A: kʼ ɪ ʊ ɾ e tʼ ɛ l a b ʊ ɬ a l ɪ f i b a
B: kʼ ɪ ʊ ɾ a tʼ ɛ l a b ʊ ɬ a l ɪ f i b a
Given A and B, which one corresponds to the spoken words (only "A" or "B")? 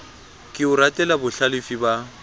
B